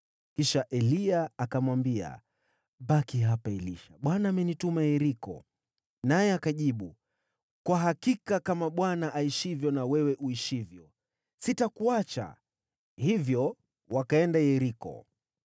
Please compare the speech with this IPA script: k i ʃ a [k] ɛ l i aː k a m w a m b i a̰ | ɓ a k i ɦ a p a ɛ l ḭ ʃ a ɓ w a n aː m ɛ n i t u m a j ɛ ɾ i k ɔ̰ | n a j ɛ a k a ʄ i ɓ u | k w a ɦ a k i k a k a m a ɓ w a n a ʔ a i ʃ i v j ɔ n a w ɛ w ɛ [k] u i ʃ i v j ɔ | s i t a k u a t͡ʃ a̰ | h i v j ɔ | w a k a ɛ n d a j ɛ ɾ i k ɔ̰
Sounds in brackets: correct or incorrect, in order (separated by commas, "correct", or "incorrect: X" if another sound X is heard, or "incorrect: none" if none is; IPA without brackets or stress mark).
incorrect: ʔ, incorrect: ʔ